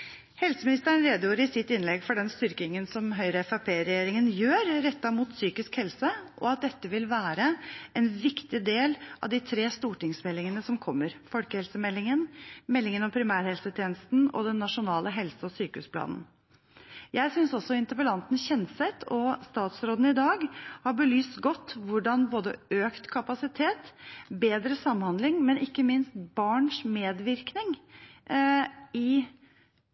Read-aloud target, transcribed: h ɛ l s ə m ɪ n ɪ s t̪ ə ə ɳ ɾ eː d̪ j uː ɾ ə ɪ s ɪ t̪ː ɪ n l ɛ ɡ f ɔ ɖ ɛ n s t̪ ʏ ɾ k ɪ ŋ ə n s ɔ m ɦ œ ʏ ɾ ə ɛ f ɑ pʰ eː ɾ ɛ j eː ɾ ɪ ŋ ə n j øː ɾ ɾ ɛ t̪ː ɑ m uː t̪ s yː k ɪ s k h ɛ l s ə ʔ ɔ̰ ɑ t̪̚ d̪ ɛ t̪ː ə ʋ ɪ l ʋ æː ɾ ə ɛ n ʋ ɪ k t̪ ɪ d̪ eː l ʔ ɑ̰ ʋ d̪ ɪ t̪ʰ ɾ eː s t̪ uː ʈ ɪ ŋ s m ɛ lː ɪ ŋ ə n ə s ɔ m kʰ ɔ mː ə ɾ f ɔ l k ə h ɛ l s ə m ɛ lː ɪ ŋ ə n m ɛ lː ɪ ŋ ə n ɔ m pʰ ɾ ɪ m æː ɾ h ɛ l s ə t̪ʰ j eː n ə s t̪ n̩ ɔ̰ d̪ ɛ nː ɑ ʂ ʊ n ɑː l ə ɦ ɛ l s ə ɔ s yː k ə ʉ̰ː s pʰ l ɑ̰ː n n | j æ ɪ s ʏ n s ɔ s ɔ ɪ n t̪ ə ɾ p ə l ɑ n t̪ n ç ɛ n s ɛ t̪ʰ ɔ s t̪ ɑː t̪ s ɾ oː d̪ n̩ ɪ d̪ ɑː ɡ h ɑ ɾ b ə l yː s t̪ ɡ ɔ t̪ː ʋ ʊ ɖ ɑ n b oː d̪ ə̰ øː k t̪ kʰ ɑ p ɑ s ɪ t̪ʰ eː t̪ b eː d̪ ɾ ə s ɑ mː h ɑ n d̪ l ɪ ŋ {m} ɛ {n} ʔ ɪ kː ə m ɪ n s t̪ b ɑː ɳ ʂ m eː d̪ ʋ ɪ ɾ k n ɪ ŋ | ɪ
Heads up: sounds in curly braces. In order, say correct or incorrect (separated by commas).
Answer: correct, correct